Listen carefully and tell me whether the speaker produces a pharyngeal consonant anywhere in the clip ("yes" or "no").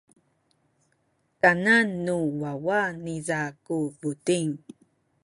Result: no